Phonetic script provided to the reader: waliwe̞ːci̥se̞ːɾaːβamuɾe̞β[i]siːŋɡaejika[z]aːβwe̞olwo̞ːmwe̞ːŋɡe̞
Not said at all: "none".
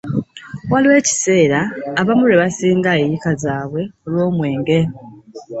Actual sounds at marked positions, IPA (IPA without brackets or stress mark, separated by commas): a, z